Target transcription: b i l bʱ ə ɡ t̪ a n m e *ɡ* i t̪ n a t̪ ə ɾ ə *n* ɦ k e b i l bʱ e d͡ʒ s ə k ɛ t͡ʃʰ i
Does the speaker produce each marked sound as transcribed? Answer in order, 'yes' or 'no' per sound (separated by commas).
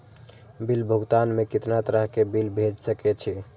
no, no